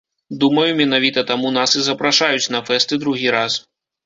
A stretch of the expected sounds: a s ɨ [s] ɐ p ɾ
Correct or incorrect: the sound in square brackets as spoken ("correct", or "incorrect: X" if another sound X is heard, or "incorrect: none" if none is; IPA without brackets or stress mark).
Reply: incorrect: z